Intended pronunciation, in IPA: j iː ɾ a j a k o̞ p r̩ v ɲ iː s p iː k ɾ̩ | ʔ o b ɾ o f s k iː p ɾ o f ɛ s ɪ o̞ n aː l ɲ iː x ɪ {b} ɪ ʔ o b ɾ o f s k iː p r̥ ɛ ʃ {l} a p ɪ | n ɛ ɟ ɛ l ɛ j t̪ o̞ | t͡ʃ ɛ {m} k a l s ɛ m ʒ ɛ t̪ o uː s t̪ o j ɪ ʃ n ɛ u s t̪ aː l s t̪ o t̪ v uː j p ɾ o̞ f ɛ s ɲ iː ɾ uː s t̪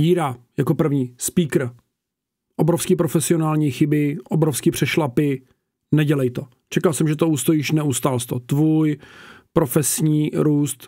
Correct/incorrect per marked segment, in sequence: correct, correct, incorrect: none

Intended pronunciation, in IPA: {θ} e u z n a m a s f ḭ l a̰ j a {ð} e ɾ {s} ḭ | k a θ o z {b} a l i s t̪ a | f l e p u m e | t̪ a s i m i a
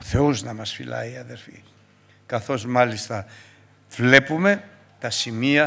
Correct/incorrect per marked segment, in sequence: correct, correct, incorrect: f, incorrect: m

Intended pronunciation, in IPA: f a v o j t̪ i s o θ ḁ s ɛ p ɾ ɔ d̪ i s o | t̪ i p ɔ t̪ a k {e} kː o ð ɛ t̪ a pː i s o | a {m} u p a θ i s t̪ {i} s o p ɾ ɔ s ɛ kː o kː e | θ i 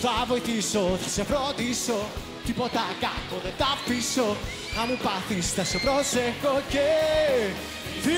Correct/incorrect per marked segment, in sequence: incorrect: a, correct, incorrect: a

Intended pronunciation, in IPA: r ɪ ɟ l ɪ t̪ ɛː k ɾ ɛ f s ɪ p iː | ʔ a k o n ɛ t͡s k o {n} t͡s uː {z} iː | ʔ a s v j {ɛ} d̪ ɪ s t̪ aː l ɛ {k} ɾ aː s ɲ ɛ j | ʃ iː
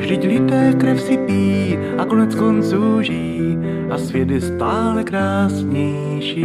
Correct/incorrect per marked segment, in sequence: correct, incorrect: ʒ, correct, correct

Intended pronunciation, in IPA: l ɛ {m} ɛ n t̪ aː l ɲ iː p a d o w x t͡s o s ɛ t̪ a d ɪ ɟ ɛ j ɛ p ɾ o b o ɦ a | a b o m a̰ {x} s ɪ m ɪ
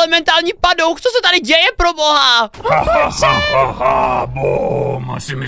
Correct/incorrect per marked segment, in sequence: correct, incorrect: none

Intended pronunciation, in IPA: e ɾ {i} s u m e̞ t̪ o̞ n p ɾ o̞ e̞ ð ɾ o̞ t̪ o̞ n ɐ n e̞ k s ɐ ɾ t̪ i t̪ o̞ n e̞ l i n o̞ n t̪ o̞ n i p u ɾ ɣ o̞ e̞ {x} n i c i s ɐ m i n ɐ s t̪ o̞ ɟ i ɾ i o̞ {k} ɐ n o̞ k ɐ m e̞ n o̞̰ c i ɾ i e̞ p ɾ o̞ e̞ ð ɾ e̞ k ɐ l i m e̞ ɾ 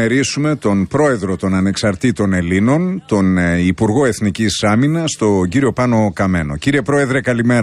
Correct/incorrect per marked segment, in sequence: correct, incorrect: θ, incorrect: p

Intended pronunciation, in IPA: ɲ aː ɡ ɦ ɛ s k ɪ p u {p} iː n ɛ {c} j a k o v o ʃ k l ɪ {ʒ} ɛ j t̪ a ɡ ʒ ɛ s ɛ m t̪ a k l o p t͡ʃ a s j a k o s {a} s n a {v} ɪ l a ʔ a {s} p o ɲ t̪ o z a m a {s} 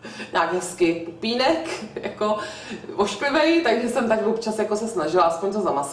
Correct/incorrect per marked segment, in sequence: correct, incorrect: k, incorrect: v, incorrect: ɛ, incorrect: ʒ, correct, correct

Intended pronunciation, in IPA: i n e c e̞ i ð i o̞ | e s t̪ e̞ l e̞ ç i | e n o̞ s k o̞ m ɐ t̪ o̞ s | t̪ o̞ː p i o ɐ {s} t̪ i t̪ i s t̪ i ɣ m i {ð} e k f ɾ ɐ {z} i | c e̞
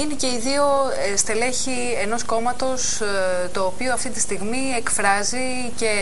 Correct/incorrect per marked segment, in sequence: incorrect: f, incorrect: none, correct

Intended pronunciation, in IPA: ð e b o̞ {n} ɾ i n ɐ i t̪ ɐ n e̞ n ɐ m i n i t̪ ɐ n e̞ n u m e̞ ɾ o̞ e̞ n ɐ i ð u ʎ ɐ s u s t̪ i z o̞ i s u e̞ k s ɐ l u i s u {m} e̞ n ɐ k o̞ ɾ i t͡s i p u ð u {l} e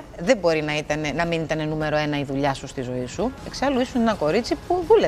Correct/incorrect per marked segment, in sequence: incorrect: none, incorrect: n, correct

